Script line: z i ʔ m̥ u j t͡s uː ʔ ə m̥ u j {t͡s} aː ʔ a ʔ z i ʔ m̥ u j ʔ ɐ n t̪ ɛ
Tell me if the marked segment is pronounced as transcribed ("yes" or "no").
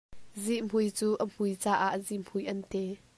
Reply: yes